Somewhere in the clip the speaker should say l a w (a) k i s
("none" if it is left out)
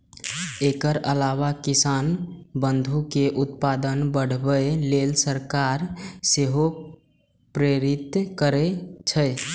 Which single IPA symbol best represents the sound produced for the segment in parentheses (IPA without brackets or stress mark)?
a